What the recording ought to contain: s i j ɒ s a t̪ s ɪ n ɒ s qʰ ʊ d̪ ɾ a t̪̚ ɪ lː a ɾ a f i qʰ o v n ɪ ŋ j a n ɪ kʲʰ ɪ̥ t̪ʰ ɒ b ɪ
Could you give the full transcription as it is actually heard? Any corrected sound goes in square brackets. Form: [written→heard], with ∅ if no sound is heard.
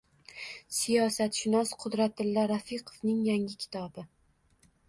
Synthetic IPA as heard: s i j ɒ s a t̪ [s→ʃ] ɪ n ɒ s qʰ ʊ d̪ ɾ a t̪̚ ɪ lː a ɾ a f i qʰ o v n ɪ ŋ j a [n→ŋ] ɪ kʲʰ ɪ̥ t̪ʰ ɒ b ɪ